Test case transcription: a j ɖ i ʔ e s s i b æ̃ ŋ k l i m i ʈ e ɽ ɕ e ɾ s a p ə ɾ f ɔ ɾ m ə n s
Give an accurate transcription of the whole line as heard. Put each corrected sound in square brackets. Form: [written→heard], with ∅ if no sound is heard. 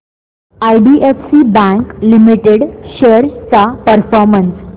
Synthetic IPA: a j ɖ i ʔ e [s→f] s i b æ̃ ŋ k l i m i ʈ e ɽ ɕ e ɾ [s→t͡s] a p ə ɾ f ɔ ɾ m ə n s